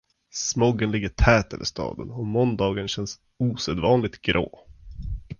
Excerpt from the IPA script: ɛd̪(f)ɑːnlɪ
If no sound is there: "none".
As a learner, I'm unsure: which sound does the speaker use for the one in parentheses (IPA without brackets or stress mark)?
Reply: v